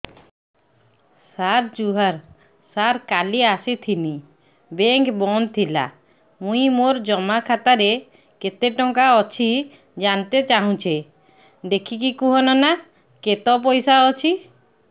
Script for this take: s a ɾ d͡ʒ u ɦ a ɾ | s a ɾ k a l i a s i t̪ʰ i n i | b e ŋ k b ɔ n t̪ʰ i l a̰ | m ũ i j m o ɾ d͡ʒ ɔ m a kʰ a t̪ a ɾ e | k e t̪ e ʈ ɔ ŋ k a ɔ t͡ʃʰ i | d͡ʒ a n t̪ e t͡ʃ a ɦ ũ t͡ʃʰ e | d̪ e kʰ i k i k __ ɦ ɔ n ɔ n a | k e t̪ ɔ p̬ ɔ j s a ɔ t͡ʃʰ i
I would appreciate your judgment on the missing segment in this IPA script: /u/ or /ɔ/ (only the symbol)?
u